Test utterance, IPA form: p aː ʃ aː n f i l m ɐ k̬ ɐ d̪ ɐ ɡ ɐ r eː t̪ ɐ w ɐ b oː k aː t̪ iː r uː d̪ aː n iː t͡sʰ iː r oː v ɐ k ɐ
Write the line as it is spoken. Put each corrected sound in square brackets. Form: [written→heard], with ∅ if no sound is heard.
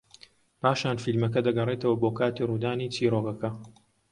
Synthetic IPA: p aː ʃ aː n f i l m ɐ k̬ ɐ d̪ ɐ ɡ ɐ r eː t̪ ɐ w ɐ b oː k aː t̪ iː r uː d̪ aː n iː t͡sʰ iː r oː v ɐ k ɐ